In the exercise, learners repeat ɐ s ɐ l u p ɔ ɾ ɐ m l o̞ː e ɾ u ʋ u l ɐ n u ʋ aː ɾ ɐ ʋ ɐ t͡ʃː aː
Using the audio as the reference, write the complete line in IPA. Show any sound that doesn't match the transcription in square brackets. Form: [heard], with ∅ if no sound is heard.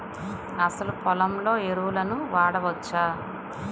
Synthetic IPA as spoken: ɐ s ɐ l u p ɔ [l] ɐ m l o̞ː e ɾ u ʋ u l ɐ n u ʋ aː [ɽ] ɐ ʋ ɐ t͡ʃː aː